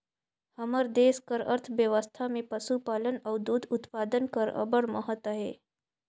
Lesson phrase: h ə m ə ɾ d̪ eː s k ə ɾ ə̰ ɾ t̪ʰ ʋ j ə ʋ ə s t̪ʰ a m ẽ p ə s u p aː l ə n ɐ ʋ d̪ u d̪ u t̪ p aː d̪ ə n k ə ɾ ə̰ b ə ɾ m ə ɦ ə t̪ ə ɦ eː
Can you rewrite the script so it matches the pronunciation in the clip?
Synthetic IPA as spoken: h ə m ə ɾ d̪ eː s k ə ɾ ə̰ ɾ t̪ʰ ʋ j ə ʋ ə s t̪ʰ a m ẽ p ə s u p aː l ə n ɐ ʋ d̪ u d̪ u t̪ p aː d̪ ə n k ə ɾ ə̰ b ə ɽ m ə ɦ ə t̪ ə ɦ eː